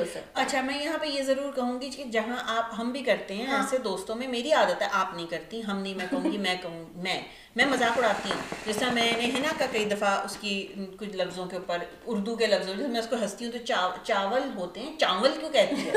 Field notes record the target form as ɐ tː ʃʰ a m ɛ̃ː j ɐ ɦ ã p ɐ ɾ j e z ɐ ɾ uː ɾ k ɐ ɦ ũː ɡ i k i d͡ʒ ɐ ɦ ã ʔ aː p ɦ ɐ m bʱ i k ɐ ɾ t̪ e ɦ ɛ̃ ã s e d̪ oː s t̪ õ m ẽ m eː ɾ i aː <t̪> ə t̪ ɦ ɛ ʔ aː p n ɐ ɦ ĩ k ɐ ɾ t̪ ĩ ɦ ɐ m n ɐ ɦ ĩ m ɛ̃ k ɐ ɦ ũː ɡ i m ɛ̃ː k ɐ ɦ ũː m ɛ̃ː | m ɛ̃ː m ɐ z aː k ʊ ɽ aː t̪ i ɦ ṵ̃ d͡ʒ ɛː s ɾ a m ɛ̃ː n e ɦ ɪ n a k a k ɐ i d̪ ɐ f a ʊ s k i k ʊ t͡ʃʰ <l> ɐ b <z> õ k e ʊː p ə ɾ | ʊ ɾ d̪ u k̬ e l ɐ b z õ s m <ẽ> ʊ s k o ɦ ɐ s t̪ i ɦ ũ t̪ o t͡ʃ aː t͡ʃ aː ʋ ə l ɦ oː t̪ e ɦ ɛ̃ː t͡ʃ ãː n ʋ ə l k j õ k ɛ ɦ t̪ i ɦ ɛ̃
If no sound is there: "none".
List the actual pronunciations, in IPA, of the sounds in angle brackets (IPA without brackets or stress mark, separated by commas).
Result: d̪, l, z, ɛ̃